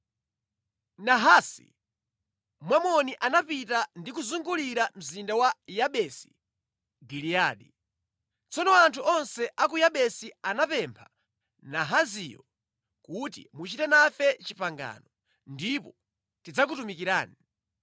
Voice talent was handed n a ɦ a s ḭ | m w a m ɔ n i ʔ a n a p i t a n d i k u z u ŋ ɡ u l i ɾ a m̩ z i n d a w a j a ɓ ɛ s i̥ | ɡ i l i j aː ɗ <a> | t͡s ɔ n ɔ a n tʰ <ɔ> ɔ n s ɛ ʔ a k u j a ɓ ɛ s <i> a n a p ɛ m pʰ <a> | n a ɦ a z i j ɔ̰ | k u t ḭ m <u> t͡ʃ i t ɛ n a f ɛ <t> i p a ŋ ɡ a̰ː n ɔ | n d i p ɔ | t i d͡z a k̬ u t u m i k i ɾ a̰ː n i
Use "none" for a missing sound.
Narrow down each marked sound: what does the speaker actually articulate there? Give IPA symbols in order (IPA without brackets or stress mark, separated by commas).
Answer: i, u, i, a, u, t͡ʃ